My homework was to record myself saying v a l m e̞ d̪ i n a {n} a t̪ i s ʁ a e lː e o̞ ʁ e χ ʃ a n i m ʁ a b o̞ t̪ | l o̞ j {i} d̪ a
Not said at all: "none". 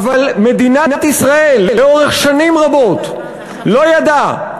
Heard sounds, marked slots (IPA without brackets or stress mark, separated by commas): n, a